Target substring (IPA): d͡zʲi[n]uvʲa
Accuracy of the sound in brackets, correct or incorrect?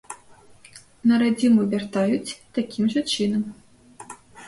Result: incorrect